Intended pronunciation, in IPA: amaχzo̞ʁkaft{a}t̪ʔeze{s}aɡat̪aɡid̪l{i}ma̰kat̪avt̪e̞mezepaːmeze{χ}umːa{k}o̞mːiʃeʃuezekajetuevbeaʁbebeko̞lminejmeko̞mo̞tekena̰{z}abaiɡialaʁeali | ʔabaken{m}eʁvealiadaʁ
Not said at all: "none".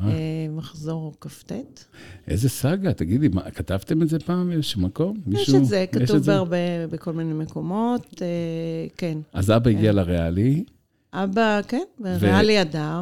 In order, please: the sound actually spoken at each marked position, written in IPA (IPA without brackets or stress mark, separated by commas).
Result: e, s, i, ʃ, k, z, b